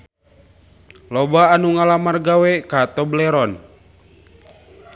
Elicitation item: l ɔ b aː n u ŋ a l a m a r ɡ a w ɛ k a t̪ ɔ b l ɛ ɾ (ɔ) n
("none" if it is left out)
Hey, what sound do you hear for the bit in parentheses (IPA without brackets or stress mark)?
ɔ